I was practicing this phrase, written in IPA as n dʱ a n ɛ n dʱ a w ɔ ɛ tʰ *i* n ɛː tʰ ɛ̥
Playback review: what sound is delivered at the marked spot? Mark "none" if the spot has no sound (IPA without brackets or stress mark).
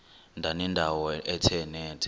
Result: ɛ